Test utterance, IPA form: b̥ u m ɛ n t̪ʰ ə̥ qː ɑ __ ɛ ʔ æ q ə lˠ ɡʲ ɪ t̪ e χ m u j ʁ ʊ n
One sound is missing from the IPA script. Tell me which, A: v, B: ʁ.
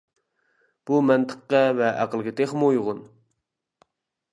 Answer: A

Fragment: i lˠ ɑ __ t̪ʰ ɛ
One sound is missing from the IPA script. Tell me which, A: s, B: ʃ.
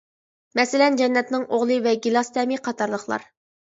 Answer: A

